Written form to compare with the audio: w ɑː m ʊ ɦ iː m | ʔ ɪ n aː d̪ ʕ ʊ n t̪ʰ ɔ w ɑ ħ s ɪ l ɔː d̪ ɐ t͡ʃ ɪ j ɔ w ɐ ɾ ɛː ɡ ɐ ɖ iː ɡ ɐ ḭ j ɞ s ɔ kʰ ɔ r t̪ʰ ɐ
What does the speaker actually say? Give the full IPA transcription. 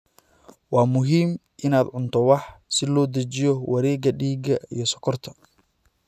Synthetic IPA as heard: w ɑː m ʊ ɦ iː m | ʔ ɪ n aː d̪ ʕ ʊ n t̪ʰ ɔ w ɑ ħ s ɪ l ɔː d̪ ɐ t͡ʃ ɪ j ɔ w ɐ ɾ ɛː ɡ ɐ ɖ iː ɡ ɐ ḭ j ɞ s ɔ kʰ ɔ r t̪ʰ ɐ

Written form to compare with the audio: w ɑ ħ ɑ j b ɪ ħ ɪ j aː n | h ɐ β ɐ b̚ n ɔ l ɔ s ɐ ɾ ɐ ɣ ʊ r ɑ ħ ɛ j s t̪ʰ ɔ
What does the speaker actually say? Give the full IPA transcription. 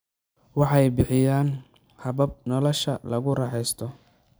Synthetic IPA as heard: w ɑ ħ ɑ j b ɪ ħ ɪ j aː n | h ɐ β ɐ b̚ n ɔ l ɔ ʃ ɐ l ɐ ɣ ʊ r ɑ ħ ɛ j s t̪ʰ ɔ

